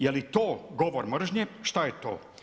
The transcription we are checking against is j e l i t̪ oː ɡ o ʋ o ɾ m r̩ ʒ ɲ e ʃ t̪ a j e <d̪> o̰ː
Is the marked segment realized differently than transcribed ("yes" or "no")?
yes